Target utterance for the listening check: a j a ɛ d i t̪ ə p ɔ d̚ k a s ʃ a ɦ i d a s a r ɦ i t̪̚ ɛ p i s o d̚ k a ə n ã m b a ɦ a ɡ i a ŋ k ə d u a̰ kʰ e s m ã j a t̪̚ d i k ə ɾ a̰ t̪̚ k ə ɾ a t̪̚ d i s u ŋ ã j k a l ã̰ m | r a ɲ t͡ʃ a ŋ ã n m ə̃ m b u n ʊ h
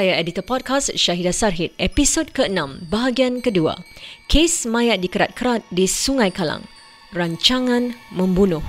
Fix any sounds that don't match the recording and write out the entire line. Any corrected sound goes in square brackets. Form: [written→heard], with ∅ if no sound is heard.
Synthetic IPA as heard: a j a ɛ d i t̪ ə p ɔ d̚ k a s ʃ a ɦ i d a s a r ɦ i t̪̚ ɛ p i s o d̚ k [a→ə] ə n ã m b a ɦ a ɡ i a [ŋ→n] k ə d u a̰ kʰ e s m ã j a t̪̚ d i k ə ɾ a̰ t̪̚ k ə ɾ a t̪̚ d i s u ŋ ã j k a l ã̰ [m→ŋ] | r a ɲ t͡ʃ a ŋ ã n m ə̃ m b u n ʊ h